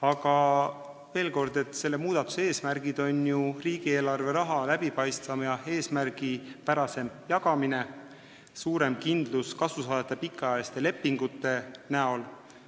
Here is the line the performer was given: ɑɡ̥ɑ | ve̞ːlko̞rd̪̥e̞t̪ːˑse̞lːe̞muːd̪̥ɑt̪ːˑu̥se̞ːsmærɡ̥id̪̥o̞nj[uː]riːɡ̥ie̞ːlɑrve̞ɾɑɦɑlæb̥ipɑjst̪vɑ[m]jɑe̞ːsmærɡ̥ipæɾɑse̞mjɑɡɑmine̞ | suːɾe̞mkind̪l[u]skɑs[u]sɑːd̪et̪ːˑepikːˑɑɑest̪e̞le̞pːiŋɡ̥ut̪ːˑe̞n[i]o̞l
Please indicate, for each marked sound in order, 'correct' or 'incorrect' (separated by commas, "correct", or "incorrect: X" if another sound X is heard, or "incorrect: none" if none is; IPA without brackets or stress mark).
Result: incorrect: u, correct, correct, correct, incorrect: æ